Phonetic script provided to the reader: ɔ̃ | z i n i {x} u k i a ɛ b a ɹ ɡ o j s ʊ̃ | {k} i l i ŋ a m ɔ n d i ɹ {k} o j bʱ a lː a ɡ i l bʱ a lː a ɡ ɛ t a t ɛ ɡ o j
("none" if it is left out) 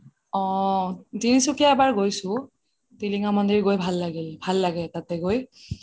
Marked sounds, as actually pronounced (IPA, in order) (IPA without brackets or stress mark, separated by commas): s, t, ɡ